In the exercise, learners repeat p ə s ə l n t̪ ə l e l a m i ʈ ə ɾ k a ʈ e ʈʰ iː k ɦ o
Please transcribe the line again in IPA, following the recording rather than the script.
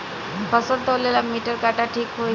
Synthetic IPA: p ə s ə n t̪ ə l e l a m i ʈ ə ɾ k a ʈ a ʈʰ iː k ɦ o